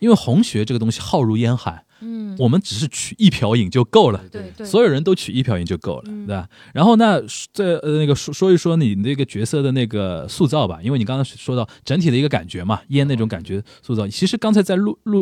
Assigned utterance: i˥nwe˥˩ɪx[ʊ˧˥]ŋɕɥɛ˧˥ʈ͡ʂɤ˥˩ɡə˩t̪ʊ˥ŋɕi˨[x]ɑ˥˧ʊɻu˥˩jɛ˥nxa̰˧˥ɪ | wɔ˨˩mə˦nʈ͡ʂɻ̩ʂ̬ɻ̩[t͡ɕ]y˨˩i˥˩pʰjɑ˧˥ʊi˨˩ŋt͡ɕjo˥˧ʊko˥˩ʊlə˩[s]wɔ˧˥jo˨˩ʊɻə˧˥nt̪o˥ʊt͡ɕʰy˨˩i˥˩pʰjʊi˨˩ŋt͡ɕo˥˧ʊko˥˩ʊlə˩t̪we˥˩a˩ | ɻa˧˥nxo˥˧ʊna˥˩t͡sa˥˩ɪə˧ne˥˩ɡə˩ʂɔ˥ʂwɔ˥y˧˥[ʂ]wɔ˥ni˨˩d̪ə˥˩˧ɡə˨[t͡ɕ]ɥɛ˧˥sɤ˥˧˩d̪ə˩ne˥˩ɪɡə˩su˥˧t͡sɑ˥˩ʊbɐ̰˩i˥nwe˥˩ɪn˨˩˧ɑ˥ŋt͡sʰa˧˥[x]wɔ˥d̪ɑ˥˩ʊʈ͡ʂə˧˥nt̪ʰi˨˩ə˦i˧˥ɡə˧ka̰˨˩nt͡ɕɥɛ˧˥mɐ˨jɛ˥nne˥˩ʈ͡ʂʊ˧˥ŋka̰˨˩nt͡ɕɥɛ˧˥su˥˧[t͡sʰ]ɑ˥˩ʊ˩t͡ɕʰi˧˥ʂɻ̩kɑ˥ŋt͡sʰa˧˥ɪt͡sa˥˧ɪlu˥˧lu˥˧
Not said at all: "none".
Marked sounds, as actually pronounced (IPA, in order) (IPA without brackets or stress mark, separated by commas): ʊ˧˥, x, t͡ɕʰ, s, ʂ, t͡ɕ, ʂ, t͡s